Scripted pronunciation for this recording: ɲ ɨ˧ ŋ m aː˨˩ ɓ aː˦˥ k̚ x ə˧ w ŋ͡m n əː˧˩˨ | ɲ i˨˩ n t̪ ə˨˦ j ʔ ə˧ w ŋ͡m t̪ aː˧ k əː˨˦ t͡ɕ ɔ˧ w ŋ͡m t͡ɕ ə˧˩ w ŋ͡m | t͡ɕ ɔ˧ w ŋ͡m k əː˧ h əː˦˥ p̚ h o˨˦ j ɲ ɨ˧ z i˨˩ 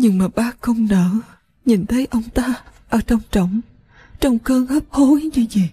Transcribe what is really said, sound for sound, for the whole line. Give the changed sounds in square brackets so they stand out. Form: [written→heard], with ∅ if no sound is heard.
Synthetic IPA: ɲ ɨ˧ ŋ m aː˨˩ ɓ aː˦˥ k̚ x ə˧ w ŋ͡m n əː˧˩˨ | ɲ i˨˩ n [t̪→t̪ʰ] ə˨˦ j ʔ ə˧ w ŋ͡m t̪ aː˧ [k→ʔ] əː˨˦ t͡ɕ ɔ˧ w ŋ͡m t͡ɕ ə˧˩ w ŋ͡m | t͡ɕ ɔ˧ w ŋ͡m k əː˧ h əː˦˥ p̚ h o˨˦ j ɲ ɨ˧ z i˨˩